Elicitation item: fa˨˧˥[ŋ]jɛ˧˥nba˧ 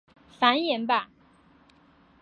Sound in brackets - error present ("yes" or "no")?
yes